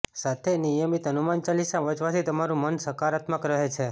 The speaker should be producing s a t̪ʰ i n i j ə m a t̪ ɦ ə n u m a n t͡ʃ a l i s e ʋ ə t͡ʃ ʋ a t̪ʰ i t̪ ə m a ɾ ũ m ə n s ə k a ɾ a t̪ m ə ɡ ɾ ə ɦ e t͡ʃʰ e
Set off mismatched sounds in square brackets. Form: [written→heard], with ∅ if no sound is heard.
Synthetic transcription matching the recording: s a t̪ʰ [i→e] n i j ə m [a→i] t̪ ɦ ə n u m a n t͡ʃ a l i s [e→a] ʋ ə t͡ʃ ʋ a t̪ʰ i t̪ ə m a ɾ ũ m ə n s ə k a ɾ a t̪ m ə [ɡ→k] ɾ ə ɦ e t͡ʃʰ e